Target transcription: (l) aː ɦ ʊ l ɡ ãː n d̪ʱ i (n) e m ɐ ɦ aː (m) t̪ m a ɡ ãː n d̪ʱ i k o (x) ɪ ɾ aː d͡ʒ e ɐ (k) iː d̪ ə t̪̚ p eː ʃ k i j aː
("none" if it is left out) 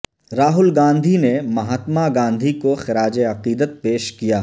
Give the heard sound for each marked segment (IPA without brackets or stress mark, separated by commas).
ɾ, n, none, x, q